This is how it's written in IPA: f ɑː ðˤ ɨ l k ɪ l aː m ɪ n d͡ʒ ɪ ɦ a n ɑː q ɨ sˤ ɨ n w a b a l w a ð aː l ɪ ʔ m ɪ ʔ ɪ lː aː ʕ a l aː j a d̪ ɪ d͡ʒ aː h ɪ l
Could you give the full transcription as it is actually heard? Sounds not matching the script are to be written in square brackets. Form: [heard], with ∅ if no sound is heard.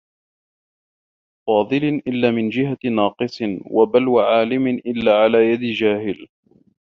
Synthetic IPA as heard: f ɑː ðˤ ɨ l [ʔ] ɪ [lː] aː m ɪ n d͡ʒ ɪ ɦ a n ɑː q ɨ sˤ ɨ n w a b a l w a [ʕ] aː l ɪ [∅] m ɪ ʔ ɪ lː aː ʕ a l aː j a d̪ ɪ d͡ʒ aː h ɪ l